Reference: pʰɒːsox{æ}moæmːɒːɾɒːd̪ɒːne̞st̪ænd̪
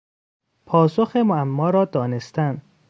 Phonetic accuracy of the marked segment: incorrect: e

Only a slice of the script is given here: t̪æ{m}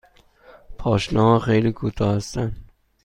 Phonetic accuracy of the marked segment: incorrect: n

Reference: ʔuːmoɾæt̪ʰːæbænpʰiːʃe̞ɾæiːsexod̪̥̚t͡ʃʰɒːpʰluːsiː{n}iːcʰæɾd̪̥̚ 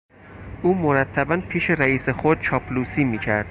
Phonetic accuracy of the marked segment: incorrect: m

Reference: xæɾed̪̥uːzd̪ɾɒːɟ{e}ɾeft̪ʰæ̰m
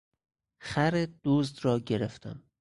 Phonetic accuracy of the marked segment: correct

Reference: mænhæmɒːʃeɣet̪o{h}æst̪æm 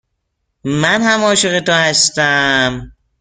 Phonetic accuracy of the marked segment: correct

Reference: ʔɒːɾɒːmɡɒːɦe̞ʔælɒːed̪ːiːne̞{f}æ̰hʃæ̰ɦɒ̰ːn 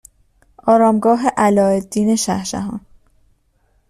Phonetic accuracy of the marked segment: incorrect: ʃ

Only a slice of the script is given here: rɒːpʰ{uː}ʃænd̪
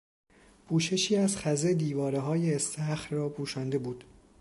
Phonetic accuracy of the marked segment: correct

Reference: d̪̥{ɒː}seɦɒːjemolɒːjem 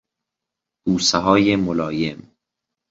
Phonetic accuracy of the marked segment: incorrect: uː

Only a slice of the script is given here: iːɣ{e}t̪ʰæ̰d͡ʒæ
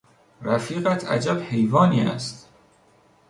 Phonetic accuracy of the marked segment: incorrect: æ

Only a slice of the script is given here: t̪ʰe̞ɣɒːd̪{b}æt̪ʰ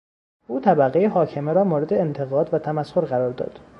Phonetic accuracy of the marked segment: incorrect: v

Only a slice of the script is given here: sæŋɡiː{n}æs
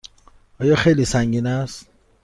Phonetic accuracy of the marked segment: correct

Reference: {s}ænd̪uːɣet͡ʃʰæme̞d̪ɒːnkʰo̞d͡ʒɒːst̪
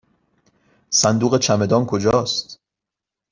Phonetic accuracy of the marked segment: correct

